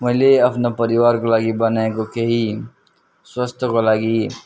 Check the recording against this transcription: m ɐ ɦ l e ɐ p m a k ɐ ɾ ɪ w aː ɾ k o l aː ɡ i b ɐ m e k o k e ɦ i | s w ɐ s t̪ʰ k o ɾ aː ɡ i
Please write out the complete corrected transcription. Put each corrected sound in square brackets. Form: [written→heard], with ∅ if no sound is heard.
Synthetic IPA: m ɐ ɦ l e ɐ p [m→n] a [k→p] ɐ ɾ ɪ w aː ɾ k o l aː ɡ i b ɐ [m→n] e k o k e ɦ i | s w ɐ s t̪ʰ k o [ɾ→l] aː ɡ i